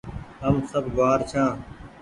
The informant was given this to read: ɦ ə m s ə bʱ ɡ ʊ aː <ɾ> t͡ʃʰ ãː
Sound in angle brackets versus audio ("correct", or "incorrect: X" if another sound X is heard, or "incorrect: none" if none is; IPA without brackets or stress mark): correct